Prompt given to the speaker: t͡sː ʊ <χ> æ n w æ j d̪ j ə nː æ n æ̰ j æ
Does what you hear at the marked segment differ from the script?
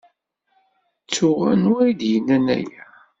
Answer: yes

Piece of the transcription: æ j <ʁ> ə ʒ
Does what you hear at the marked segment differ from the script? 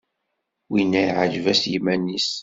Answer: yes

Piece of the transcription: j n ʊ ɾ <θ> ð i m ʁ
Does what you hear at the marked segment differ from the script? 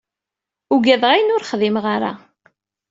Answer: yes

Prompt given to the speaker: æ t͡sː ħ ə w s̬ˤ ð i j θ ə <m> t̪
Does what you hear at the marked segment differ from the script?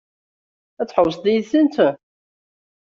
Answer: yes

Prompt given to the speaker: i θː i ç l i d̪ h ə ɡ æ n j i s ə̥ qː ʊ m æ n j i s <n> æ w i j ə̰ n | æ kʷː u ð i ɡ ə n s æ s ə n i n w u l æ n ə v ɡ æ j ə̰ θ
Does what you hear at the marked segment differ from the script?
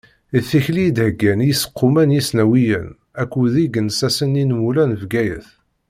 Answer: no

